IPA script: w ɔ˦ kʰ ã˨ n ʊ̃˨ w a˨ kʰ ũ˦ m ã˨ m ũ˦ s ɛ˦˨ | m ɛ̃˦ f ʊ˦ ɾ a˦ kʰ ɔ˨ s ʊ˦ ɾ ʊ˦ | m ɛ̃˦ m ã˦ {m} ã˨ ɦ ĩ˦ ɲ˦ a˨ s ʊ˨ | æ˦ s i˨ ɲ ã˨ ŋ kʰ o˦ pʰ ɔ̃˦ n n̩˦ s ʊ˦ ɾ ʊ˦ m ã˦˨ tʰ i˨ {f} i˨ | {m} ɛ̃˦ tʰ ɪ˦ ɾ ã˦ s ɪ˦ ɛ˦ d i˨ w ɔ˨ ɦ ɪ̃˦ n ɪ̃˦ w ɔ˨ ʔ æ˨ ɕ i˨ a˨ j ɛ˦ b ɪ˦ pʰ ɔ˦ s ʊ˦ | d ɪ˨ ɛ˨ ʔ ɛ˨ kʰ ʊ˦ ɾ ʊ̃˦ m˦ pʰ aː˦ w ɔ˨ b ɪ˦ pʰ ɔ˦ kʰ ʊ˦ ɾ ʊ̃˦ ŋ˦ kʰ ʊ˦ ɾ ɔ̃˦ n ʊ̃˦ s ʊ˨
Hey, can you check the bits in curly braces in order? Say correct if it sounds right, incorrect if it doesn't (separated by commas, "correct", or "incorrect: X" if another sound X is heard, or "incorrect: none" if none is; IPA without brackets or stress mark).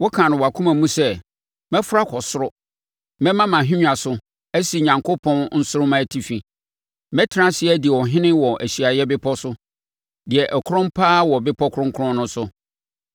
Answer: correct, correct, correct